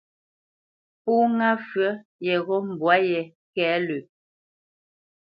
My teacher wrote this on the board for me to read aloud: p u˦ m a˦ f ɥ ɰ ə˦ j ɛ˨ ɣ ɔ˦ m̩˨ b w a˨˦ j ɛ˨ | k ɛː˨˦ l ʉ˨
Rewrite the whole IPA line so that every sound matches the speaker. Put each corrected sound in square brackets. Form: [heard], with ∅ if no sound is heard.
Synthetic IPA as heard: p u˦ [ŋ] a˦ f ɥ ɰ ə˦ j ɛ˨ ɣ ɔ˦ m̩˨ b w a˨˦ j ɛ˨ | k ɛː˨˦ l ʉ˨